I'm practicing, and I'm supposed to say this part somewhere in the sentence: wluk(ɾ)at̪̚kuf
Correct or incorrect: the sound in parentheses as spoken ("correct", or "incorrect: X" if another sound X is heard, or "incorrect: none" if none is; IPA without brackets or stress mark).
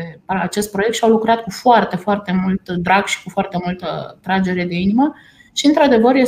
correct